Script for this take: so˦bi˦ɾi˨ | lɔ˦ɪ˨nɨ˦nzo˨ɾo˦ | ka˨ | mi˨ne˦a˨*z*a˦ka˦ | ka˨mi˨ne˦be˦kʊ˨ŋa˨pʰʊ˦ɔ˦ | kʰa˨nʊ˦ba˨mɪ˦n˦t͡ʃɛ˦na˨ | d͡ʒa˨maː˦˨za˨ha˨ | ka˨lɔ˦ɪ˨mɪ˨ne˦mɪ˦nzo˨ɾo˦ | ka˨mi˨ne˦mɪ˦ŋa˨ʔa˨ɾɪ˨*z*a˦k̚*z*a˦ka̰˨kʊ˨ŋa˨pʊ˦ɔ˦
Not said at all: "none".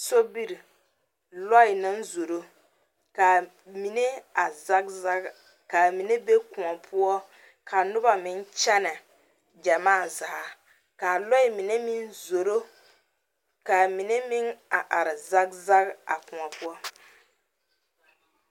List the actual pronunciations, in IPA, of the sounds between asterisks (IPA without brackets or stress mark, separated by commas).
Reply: z, z, z